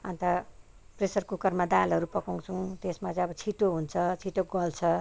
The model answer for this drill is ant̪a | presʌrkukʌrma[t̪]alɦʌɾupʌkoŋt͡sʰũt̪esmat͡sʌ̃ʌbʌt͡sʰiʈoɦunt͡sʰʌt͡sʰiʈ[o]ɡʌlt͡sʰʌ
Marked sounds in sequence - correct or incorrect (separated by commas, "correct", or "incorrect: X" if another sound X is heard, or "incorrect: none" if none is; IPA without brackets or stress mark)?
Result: incorrect: d̪, correct